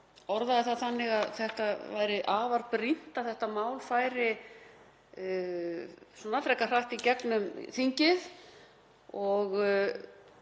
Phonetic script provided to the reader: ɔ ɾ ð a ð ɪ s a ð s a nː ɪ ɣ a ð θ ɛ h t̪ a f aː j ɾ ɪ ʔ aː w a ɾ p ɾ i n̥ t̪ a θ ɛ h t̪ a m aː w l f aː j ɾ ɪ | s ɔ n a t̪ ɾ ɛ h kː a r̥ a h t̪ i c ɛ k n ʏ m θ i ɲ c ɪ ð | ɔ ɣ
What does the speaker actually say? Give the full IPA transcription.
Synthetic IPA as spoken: ɔ ɾ ð a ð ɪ θ a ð θ a nː ɪ ɣ a ð θ ɛ h t̪ a v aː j ɾ ɪ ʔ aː v a ɾ p ɾ i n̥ t̪ a θ ɛ h t̪ a m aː w l f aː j ɾ ɪ | s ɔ n a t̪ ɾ ɛ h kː a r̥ a h t̪ i c ɛ k n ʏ m θ i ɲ c ɪ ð | ɔ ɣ